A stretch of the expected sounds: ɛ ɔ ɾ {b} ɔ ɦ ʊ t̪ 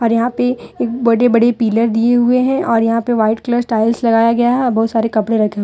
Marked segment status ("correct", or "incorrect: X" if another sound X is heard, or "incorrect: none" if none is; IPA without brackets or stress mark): correct